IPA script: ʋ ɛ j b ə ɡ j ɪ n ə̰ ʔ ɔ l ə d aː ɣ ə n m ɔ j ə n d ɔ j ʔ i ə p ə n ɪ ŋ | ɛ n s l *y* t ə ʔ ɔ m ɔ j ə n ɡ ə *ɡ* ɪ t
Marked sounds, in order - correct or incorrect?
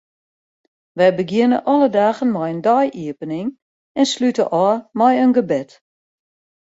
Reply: correct, incorrect

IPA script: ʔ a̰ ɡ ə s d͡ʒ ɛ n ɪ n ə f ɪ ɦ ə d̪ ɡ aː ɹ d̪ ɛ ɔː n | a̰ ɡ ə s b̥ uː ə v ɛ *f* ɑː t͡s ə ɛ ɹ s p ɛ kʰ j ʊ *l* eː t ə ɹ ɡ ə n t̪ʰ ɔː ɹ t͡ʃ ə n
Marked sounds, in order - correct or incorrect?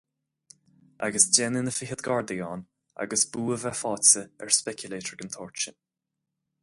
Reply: correct, correct

